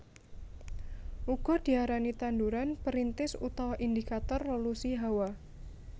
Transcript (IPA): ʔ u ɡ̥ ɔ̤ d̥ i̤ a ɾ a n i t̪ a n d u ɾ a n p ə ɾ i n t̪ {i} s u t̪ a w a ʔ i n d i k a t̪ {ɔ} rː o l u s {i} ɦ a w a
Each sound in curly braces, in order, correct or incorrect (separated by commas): incorrect, correct, correct